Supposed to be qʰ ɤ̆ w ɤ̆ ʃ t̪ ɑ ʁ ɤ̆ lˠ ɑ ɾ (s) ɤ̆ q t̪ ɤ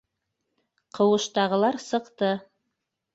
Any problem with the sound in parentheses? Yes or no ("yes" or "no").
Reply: no